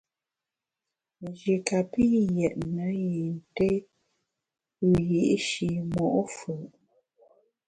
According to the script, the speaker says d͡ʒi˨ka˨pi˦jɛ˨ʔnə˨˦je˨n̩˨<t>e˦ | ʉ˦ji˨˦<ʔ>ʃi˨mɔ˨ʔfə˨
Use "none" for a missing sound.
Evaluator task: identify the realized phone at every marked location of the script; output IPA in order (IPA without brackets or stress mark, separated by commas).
t, ʔ